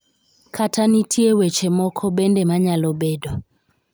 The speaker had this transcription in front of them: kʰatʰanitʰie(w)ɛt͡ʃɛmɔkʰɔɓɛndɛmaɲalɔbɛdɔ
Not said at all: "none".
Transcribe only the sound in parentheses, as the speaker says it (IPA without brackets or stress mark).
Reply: w